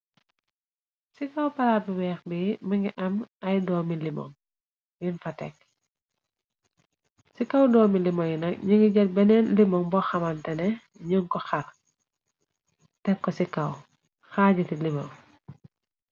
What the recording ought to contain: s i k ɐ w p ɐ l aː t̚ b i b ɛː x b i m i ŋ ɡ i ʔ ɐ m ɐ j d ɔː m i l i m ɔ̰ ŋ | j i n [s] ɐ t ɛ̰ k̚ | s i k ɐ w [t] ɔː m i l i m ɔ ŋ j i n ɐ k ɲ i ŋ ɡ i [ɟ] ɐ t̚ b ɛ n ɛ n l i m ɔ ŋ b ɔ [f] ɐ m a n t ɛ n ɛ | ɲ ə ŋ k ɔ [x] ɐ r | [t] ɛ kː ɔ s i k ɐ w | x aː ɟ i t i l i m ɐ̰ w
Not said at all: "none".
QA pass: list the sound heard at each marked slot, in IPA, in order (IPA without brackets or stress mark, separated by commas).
f, d, ɟ, x, x, t